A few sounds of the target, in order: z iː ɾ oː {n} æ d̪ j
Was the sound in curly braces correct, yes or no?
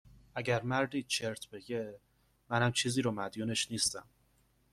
no